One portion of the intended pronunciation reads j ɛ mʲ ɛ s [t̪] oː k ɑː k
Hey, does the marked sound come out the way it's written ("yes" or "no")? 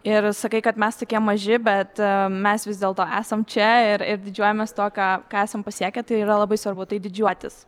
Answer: yes